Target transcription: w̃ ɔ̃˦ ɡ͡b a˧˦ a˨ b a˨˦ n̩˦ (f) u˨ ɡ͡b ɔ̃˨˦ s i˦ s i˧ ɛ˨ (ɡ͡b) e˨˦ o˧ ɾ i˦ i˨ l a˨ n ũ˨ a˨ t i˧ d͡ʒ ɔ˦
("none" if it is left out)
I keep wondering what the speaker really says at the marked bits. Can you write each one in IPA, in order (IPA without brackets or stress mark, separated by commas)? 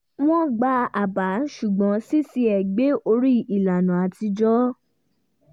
ʃ, ɡ͡b